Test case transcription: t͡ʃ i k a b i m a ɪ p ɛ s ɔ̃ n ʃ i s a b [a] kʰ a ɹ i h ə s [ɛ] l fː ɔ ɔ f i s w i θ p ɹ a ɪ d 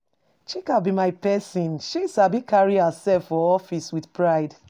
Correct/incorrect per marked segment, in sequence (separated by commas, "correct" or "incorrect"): incorrect, correct